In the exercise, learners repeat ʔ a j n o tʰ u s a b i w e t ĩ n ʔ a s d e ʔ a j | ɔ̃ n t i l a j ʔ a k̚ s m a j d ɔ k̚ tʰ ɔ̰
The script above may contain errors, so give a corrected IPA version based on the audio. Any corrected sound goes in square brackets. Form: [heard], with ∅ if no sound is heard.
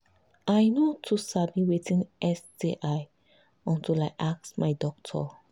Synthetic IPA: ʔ a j n o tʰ u s a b i w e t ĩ n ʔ [ɛ] s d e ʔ a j | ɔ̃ n t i l a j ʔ a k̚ s m a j d ɔ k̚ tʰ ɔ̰